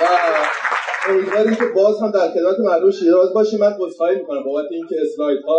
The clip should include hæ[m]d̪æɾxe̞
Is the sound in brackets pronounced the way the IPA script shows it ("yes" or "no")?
yes